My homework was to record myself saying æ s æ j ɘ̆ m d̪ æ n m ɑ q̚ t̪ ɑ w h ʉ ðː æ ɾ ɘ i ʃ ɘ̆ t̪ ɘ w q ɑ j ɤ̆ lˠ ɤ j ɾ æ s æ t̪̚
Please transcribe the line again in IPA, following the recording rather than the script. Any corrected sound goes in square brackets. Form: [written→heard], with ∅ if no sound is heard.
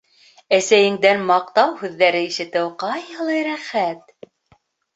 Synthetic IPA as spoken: æ s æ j ɘ̆ [m→ŋ] d̪ æ n m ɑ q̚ t̪ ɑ w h ʉ ðː æ ɾ ɘ i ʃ ɘ̆ t̪ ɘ w q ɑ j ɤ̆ lˠ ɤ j ɾ æ [s→χ] æ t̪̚